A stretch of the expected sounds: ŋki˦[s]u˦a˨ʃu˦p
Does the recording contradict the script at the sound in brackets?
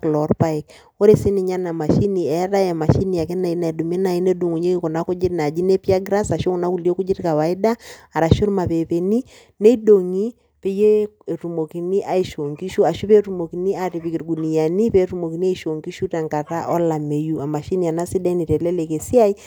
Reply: yes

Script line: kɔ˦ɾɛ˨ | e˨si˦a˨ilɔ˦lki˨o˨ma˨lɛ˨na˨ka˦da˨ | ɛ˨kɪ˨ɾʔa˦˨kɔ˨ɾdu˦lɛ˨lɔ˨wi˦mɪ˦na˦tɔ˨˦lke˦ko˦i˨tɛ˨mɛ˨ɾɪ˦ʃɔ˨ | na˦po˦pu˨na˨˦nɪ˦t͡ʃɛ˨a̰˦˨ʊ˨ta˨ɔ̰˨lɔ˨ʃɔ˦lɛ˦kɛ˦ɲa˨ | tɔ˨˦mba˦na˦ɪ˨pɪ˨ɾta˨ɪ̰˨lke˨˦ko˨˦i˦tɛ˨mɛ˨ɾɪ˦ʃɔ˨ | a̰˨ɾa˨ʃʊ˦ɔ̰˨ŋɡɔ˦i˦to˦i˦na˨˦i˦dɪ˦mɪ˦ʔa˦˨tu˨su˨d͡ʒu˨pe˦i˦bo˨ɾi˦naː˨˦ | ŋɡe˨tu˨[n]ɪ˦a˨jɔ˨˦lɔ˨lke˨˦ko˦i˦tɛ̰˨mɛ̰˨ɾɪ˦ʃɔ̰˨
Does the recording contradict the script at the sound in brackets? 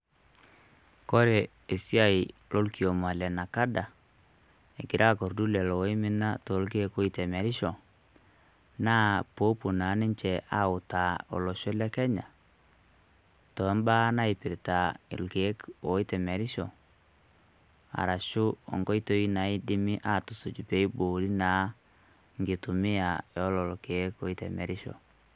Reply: yes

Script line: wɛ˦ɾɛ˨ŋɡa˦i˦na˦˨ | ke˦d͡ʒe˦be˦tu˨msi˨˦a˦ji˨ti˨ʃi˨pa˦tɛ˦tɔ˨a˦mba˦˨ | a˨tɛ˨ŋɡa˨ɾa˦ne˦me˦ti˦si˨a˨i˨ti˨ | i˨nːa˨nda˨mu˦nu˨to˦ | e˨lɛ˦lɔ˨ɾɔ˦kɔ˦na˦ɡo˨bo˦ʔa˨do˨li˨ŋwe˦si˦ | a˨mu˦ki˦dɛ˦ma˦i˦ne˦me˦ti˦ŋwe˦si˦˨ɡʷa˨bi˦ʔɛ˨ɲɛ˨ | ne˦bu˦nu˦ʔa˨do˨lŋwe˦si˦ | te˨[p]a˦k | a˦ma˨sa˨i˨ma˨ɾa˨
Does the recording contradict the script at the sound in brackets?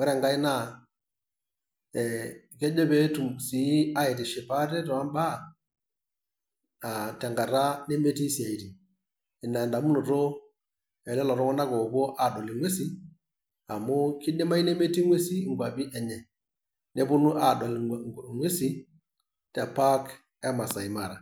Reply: no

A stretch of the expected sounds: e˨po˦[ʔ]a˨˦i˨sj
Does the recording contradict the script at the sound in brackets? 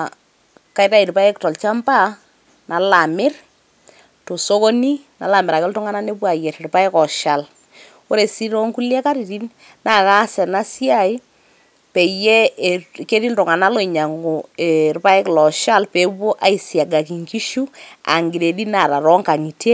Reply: no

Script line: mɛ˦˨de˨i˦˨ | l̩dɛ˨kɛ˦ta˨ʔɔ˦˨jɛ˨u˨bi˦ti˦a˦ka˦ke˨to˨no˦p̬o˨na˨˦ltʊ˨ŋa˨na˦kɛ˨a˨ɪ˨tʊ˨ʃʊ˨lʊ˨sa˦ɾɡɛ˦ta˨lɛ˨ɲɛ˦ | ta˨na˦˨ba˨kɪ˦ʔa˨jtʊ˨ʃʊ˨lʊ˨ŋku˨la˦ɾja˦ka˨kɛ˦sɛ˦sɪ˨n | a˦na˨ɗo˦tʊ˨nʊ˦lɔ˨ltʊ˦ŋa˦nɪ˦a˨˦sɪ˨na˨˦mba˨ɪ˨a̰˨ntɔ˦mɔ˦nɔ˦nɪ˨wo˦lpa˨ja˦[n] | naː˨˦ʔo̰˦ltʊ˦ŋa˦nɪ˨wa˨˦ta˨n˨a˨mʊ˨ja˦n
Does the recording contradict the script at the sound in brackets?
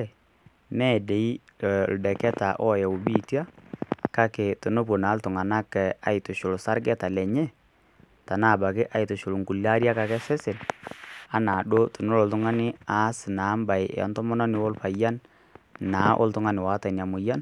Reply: no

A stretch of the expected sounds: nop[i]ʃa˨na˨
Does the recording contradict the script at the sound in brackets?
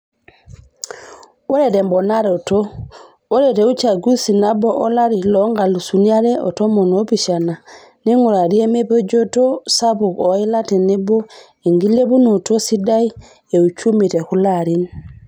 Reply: no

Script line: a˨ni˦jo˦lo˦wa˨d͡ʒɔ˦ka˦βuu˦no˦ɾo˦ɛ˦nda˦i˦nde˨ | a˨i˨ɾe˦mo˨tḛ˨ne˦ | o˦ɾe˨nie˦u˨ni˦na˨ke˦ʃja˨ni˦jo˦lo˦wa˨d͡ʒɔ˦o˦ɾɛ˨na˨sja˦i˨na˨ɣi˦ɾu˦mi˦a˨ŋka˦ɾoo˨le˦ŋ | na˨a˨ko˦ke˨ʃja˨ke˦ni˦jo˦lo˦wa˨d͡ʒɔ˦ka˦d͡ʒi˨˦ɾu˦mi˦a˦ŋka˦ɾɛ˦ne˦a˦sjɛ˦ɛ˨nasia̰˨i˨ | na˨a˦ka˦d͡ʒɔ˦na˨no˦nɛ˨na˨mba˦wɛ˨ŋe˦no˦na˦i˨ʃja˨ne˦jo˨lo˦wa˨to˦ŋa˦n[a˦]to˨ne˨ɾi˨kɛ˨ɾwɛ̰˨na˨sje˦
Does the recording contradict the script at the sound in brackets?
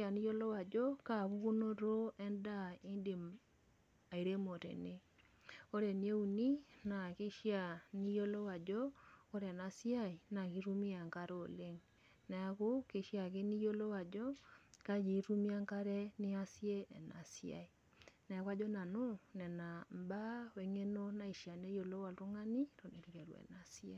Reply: yes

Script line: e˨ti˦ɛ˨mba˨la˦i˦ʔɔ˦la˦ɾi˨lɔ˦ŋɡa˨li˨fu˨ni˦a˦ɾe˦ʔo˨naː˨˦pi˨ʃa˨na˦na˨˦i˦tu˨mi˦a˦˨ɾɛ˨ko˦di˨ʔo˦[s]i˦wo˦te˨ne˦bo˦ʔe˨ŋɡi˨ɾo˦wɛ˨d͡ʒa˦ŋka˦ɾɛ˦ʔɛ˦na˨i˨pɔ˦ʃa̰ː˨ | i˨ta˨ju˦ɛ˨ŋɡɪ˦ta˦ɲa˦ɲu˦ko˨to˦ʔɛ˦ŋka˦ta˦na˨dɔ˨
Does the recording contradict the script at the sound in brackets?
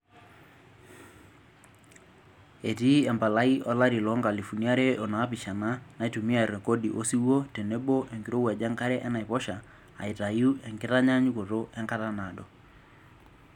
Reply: no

